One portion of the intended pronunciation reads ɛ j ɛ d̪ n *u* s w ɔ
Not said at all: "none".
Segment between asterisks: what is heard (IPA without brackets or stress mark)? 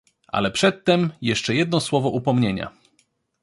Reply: ɔ